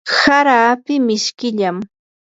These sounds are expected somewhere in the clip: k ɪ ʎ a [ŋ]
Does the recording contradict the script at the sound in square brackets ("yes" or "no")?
yes